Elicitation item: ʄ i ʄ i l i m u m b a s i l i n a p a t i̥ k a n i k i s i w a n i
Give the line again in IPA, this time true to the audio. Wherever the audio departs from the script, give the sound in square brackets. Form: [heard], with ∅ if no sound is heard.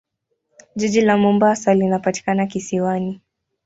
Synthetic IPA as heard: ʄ i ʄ i l [a] m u m b a s [a] l i n a p a t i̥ k a n [a] k i s i w a n i